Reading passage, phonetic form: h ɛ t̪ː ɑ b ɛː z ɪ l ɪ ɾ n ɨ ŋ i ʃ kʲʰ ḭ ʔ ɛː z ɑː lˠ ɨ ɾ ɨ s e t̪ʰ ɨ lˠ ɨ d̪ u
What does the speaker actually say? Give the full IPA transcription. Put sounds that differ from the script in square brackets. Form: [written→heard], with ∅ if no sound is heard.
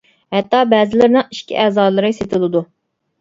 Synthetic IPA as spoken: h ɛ t̪ː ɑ b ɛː z ɪ l ɪ ɾ n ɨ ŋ i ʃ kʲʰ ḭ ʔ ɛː z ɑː lˠ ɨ ɾ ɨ s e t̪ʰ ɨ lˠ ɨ d̪ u